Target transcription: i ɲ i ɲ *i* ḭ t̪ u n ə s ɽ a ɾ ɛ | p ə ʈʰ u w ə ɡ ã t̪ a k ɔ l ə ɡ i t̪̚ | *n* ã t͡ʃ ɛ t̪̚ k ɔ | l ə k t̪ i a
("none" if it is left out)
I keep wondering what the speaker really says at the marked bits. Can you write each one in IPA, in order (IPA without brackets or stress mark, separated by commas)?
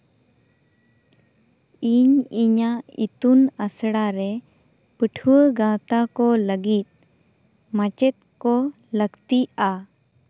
a, m